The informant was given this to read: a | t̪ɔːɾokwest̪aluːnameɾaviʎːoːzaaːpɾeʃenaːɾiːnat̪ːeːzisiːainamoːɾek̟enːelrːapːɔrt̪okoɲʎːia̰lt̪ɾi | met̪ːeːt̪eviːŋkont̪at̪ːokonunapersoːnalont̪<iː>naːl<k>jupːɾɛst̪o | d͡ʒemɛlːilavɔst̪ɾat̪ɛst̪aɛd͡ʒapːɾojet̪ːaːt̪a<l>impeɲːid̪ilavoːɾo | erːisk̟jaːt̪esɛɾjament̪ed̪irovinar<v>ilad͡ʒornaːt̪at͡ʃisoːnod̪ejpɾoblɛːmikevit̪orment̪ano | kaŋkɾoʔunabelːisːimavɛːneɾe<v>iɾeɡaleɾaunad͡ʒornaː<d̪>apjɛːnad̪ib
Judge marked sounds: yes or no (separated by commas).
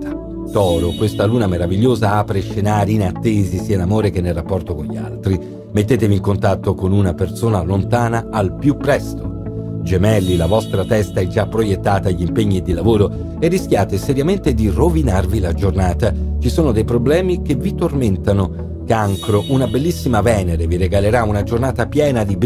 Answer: no, no, no, yes, yes, no